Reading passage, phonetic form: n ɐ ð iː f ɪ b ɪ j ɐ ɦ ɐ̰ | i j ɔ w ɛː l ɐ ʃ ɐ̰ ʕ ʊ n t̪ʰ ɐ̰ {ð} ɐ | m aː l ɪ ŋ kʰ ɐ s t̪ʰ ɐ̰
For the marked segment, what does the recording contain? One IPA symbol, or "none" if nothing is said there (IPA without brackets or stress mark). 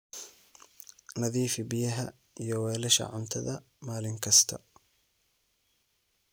ð